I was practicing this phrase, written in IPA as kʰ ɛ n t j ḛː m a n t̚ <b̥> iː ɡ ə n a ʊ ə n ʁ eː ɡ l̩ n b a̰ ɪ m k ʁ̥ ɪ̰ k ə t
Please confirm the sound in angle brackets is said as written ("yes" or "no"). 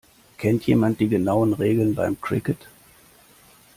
no